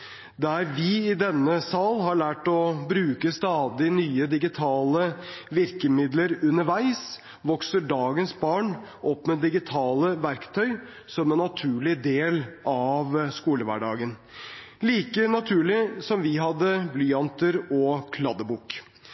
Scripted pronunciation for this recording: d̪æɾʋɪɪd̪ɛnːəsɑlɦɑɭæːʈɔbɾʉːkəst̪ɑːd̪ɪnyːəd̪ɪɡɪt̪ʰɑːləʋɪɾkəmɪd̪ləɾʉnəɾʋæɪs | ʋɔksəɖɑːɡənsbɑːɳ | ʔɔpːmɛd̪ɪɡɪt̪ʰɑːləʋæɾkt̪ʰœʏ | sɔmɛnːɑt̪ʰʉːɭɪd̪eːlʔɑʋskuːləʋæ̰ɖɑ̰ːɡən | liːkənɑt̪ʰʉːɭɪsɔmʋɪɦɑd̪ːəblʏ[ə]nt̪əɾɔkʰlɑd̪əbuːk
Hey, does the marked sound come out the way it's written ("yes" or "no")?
no